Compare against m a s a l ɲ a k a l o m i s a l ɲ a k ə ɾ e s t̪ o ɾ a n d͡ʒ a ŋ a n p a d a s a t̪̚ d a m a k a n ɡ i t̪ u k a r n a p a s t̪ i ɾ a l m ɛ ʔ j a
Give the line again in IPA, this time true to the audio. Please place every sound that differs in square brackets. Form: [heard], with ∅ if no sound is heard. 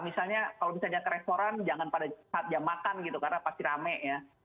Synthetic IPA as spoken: m [i] s a l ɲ a k a l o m i s a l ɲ a k ə ɾ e s t̪ o ɾ a n d͡ʒ a ŋ a n p a d a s a t̪̚ [d͡ʒ] a m a k a n ɡ i t̪ u k a r n a p a s t̪ i ɾ a [∅] m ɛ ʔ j a

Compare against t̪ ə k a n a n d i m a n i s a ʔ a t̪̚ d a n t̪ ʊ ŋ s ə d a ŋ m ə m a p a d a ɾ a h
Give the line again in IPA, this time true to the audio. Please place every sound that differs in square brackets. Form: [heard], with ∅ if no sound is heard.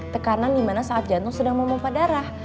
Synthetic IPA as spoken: t̪ ə k a n a n d i m a n [a] s a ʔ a t̪̚ [d͡ʒ] a n t̪ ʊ ŋ s ə d a ŋ m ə m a p a d a ɾ a h

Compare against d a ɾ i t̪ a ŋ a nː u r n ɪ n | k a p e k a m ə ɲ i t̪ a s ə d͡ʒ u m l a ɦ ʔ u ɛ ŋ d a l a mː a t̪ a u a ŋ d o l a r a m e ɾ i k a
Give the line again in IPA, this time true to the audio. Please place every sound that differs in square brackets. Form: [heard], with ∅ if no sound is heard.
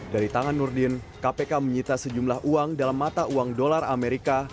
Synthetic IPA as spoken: d a ɾ i t̪ a ŋ a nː u r [d] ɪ n | k a p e k a m ə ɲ i t̪ a s ə d͡ʒ u m l a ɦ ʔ u [a] ŋ d a l a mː a t̪ a u a ŋ d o l a r a m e ɾ i k a

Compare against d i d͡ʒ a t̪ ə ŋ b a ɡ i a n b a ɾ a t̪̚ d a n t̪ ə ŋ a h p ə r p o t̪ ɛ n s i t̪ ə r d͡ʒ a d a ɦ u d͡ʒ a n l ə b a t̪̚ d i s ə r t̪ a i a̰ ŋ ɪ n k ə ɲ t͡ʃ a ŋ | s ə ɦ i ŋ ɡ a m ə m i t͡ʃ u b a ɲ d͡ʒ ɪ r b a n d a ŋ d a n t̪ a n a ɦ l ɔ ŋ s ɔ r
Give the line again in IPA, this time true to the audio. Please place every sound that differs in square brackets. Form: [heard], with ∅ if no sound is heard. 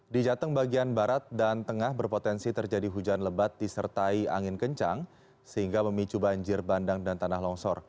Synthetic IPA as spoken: d i d͡ʒ a t̪ ə ŋ b a ɡ i a n b a ɾ a t̪̚ d a n t̪ ə ŋ a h [b] ə r p o t̪ ɛ n s i t̪ ə r d͡ʒ a d [i] ɦ u d͡ʒ a n l ə b a t̪̚ d i s ə r t̪ a i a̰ ŋ ɪ n k ə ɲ t͡ʃ a ŋ | s ə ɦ i ŋ ɡ a m ə m i t͡ʃ u b a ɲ d͡ʒ ɪ r b a n d a ŋ d a n t̪ a n a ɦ l ɔ ŋ s ɔ r

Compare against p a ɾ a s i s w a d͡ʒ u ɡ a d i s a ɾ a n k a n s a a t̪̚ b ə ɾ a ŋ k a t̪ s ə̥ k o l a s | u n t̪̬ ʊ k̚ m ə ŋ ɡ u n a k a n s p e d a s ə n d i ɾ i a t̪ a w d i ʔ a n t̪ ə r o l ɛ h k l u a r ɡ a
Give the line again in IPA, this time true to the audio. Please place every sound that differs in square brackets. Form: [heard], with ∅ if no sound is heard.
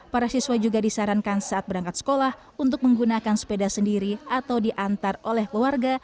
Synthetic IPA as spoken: p a ɾ a s i s w a d͡ʒ u ɡ a d i s a ɾ a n k a n s a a t̪̚ b ə ɾ a ŋ k a t̪ s ə̥ k o l a [h] | u n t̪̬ ʊ k̚ m ə ŋ ɡ u n a k a n s p e d a s ə n d i ɾ i a t̪ a w d i ʔ a n t̪ [a] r o l ɛ h k l u a r ɡ a

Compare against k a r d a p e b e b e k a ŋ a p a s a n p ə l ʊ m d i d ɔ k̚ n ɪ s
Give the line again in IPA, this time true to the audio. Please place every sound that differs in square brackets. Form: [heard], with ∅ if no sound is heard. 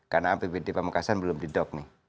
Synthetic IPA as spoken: k a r [n] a p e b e [d] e [p] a [m] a [k] a s a n [b] ə l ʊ m d i d ɔ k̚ n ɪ [h]

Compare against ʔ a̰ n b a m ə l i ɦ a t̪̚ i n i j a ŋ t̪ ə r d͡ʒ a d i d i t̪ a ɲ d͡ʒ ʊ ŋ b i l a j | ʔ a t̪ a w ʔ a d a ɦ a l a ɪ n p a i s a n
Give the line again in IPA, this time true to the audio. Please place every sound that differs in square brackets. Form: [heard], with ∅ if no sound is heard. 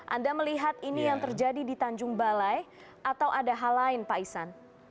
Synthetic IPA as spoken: ʔ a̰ n [d] a m ə l i ɦ a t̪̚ i n i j a ŋ t̪ ə r d͡ʒ a d i d i t̪ a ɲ d͡ʒ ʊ ŋ b [a] l a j | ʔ a t̪ a w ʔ a d a ɦ a l a ɪ n p a i s a n

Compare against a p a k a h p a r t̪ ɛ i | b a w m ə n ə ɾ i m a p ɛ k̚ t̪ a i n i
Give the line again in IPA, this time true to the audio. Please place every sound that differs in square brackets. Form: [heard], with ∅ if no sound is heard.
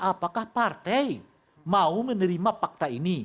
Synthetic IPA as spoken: a p a k a h p a r t̪ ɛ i | [m] a [u] m ə n ə ɾ i m a p [a] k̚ t̪ a i n i

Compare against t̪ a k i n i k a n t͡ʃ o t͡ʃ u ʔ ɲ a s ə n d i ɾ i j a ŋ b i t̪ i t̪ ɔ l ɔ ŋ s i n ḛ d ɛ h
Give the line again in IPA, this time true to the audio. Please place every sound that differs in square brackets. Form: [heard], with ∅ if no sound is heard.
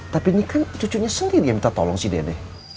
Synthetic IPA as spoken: t̪ a [p] i n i k a n t͡ʃ [u] t͡ʃ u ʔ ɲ a s ə n d i ɾ i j a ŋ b i t̪ [a] t̪ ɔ l ɔ ŋ s i [d] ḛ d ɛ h

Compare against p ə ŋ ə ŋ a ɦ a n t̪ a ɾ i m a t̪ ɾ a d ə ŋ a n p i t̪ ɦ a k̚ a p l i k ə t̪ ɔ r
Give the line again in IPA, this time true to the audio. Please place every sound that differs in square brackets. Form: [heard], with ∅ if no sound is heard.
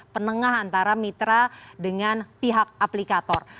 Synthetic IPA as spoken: p ə [n] ə ŋ a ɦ a n t̪ a ɾ [a] m [i] t̪ ɾ a d ə ŋ a n p i [∅] ɦ a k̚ a p l i k [a] t̪ ɔ r

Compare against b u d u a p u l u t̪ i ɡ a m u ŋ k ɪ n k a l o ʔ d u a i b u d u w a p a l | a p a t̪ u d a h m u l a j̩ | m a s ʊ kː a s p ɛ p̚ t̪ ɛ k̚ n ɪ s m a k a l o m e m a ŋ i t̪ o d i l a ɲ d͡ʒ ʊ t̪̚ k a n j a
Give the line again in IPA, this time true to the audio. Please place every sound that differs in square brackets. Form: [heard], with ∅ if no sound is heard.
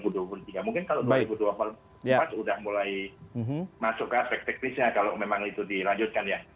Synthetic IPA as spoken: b u d u a p u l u t̪ i ɡ a m u ŋ k ɪ n k a l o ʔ d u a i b u d u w a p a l | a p a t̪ u d a h m u l a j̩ | m a s ʊ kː a s p ɛ [k̚] t̪ ɛ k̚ n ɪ s [ɲ] a k a l o m e m a ŋ i t̪ [u] d i l a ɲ d͡ʒ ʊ t̪̚ k a n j a

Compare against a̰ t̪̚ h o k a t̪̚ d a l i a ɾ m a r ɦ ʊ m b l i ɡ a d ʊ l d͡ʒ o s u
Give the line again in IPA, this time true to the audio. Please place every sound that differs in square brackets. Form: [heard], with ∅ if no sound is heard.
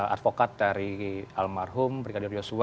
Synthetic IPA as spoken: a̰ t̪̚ [f] o k a t̪̚ d a [ɾ] i a [l] m a r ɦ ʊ m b [ɾ] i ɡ a d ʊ [r] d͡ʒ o s u

